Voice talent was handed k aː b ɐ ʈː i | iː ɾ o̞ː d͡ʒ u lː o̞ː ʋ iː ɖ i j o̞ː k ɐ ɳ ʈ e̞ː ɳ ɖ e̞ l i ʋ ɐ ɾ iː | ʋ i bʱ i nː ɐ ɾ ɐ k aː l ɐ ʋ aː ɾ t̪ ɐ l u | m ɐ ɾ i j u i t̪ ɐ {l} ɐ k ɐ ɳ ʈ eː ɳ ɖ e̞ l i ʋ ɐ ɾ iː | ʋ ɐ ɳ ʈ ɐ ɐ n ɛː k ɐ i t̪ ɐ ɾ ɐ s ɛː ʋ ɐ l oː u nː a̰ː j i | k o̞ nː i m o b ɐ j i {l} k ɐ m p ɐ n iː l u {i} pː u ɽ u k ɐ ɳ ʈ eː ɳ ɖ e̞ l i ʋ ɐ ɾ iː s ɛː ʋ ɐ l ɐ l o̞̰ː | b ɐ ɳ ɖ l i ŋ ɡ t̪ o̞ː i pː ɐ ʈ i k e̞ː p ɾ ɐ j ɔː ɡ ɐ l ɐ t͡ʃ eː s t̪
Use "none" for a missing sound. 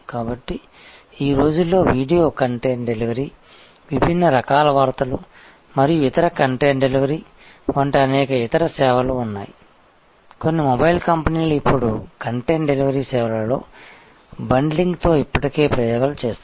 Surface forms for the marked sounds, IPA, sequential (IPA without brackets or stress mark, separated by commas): ɾ, l, i